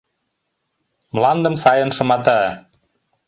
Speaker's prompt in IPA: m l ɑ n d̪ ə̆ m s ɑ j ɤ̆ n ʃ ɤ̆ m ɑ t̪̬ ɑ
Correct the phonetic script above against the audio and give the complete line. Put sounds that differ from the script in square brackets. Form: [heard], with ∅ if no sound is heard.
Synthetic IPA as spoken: m l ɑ n d̪ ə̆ m s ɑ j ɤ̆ n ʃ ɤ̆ m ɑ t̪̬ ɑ